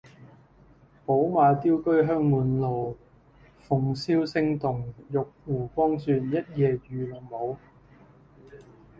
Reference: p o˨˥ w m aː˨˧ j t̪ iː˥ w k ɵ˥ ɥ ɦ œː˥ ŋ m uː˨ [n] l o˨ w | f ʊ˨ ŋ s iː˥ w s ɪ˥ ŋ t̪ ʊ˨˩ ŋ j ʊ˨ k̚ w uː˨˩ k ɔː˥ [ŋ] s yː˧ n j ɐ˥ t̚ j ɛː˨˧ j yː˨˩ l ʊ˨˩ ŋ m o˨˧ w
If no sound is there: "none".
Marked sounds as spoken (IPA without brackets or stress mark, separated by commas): n, ŋ